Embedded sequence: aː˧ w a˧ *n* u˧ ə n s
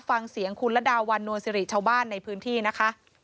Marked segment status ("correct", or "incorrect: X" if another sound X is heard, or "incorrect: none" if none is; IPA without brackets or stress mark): incorrect: nː